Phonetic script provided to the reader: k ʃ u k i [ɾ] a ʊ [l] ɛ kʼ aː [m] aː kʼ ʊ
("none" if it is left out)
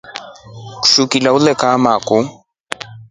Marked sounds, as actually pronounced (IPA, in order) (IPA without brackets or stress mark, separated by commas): l, l, m